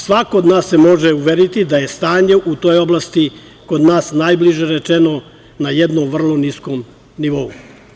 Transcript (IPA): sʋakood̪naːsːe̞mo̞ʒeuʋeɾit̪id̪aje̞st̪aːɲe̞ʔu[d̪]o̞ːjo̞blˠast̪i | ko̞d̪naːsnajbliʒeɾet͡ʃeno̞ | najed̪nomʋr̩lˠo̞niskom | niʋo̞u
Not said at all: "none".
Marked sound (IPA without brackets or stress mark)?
t̪